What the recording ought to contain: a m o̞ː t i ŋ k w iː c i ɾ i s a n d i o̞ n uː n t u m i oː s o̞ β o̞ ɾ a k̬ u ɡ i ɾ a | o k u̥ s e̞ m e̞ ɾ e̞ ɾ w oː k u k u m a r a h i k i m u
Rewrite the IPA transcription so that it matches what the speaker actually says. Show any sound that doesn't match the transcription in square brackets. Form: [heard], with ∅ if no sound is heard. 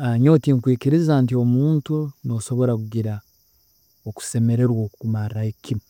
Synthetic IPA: a [ɲ] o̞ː t i ŋ k w iː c i ɾ i [z] a n [t] i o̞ [m] uː n t u [n] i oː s o̞ β o̞ ɾ a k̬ u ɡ i ɾ a | o k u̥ s e̞ m e̞ ɾ e̞ ɾ w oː k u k u m a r a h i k i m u